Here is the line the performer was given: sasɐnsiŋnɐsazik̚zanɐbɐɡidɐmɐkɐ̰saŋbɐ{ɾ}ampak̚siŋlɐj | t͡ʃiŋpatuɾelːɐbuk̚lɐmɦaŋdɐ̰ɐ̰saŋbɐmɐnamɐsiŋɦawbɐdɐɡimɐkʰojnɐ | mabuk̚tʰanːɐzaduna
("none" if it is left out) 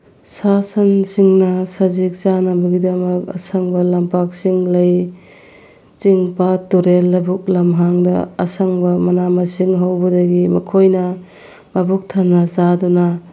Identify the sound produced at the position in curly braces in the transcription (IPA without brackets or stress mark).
l